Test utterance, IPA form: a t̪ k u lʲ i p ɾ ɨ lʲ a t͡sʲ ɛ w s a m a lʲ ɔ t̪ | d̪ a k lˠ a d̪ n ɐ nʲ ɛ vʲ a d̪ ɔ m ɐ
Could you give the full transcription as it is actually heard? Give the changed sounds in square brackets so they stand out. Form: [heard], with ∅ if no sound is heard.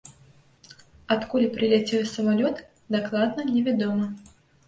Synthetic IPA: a t̪ k u lʲ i p ɾ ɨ lʲ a t͡sʲ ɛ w s [ɐ] m a lʲ ɔ t̪ | d̪ a k lˠ a d̪ n ɐ nʲ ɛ vʲ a d̪ ɔ m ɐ

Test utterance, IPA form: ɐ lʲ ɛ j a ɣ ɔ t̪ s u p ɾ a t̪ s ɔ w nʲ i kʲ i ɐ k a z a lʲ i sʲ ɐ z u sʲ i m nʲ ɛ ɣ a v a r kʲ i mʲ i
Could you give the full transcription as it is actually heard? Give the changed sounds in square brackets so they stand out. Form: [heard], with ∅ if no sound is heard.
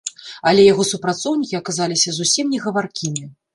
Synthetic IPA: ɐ lʲ ɛ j a ɣ ɔ [∅] s u p ɾ a t̪ s ɔ w nʲ i kʲ i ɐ k a z a lʲ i sʲ ɐ z u sʲ i m nʲ ɛ ɣ [ɐ] v a r kʲ i mʲ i

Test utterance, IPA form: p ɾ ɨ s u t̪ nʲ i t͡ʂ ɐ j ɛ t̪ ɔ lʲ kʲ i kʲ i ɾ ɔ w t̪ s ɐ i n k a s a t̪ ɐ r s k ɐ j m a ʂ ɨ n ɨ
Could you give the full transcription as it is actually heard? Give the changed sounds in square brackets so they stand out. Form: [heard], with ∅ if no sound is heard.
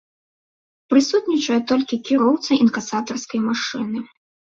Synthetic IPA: p ɾ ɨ s u t̪ nʲ i t͡ʂ ɐ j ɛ t̪ ɔ lʲ kʲ i kʲ i ɾ ɔ w t̪ s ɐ i n k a s a t̪ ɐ r s k ɐ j m a ʂ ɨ n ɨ

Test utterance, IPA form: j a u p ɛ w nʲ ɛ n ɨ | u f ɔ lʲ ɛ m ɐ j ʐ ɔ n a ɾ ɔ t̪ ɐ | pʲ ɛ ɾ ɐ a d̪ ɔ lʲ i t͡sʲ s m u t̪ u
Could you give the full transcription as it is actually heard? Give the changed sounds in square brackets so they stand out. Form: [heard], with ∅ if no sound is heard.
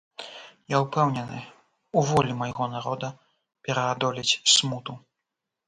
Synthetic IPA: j a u p ɛ w nʲ ɛ n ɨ | u [v] ɔ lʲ [i] m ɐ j [ɣ] ɔ n a ɾ ɔ [d̪] ɐ | pʲ ɛ ɾ ɐ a d̪ ɔ lʲ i t͡sʲ s m u t̪ u

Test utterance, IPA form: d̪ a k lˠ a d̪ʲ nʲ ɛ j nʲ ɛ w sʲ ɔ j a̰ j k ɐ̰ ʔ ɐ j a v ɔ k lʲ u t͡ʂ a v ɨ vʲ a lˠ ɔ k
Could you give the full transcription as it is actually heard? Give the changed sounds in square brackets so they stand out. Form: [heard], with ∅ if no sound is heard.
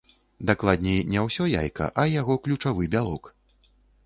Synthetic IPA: d̪ a k lˠ a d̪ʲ nʲ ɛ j nʲ ɛ w sʲ ɔ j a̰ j k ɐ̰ ʔ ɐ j a [ɣ] ɔ k lʲ u t͡ʂ a v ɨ [bʲ] a lˠ ɔ k

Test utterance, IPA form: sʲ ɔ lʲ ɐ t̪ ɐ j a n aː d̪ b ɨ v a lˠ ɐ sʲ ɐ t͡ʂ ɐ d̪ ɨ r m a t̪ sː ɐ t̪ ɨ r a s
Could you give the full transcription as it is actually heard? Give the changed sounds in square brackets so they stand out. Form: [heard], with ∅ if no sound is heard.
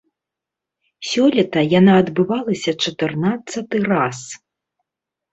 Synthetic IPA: sʲ ɔ lʲ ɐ t̪ ɐ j a n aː d̪ b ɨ v a lˠ ɐ sʲ ɐ t͡ʂ ɐ [t̪] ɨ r [n] a t̪ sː ɐ t̪ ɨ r a s

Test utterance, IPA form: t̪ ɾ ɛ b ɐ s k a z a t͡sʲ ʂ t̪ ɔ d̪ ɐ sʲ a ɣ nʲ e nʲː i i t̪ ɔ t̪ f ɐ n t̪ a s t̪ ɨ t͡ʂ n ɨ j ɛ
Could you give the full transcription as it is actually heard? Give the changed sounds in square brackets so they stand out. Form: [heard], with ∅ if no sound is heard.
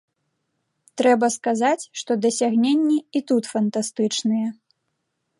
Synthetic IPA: t̪ ɾ ɛ b ɐ s k a z a t͡sʲ ʂ t̪ ɔ d̪ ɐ sʲ a ɣ nʲ e nʲː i i t̪ [u] t̪ f ɐ n t̪ a s t̪ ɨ t͡ʂ n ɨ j ɛ

